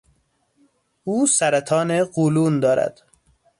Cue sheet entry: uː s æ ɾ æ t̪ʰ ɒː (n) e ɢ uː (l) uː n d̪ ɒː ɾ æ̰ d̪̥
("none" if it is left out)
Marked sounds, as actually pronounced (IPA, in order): n, l

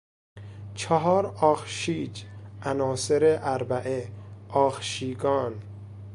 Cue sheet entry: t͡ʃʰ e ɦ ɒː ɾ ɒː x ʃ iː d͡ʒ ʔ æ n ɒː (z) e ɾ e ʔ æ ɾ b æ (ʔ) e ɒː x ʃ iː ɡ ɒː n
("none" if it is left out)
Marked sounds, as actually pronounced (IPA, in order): s, ʔ

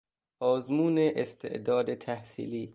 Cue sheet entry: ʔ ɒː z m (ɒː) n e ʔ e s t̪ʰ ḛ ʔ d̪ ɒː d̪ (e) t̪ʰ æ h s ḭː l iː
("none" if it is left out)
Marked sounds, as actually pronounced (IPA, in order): uː, e

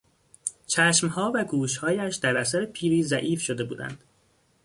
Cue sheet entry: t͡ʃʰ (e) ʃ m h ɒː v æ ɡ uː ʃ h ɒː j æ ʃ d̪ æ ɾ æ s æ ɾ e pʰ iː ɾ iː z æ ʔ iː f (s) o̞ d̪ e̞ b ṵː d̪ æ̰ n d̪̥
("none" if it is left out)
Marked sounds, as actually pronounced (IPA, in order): æ, ʃ

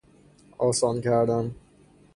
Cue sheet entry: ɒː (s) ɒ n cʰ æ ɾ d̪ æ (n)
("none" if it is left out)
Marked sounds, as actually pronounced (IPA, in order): s, m

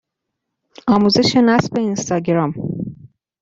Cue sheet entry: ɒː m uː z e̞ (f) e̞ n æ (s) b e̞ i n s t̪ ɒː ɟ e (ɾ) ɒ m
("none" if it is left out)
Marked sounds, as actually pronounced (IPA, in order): ʃ, s, ɾ

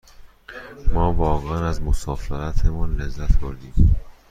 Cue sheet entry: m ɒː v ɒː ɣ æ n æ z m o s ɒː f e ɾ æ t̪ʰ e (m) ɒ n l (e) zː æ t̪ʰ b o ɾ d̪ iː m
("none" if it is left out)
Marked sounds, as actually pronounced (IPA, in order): m, e

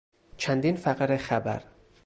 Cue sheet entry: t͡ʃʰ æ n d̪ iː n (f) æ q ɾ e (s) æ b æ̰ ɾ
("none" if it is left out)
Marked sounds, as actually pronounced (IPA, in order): f, x

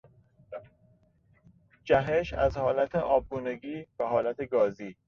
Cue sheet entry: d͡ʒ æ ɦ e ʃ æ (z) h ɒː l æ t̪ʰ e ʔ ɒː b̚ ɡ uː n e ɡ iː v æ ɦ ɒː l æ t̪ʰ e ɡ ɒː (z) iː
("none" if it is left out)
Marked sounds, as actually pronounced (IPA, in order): z, z

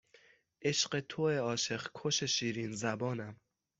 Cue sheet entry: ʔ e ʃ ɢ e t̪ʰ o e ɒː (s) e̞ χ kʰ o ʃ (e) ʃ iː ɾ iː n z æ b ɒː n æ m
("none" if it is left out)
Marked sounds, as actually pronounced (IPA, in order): ʃ, e

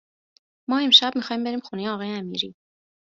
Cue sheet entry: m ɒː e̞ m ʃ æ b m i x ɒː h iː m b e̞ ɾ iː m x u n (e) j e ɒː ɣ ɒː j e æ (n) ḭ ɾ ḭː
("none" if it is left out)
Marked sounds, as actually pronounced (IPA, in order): e, m

